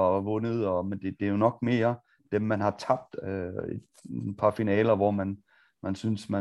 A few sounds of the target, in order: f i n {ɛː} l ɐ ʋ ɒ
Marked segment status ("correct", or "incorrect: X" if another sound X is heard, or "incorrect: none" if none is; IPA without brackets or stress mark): correct